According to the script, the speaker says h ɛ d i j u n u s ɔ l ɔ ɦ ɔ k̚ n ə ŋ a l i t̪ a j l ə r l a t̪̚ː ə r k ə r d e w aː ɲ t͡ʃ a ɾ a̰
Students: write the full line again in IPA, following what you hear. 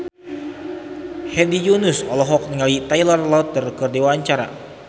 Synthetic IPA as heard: h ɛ d i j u n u s ɔ l ɔ ɦ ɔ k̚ n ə ŋ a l i t̪ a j l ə r l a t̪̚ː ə r k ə r d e w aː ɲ t͡ʃ a ɾ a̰